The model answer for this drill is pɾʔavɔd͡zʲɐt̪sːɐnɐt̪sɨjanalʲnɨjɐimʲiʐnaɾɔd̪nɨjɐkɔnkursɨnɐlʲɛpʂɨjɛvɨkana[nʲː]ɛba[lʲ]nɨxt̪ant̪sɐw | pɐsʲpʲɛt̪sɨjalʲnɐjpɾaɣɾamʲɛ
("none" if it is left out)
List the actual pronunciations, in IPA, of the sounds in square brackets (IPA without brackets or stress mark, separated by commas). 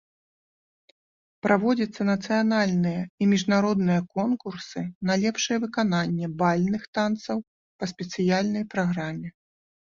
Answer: nʲː, lʲ